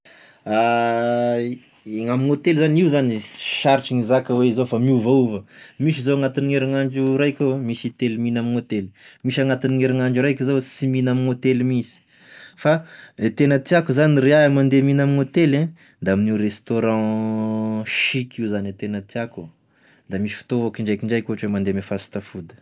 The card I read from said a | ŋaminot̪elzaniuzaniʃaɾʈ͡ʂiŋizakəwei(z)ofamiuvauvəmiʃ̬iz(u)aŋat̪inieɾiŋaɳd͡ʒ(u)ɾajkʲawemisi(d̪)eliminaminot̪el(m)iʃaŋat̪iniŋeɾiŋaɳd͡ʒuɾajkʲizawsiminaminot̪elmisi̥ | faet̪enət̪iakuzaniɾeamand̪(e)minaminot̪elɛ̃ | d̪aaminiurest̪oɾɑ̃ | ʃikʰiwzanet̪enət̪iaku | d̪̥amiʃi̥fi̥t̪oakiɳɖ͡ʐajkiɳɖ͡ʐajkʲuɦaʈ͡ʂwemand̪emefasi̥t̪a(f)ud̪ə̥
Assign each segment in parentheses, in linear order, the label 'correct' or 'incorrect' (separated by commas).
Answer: correct, incorrect, correct, incorrect, correct, correct, correct